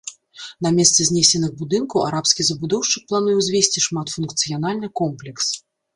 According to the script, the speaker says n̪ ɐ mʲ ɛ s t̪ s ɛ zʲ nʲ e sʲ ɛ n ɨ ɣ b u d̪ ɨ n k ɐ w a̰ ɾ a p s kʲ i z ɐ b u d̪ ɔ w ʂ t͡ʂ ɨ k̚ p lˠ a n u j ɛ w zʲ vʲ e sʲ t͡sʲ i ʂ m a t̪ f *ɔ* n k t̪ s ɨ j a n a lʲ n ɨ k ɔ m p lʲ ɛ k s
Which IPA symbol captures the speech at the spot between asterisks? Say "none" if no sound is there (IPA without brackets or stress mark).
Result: u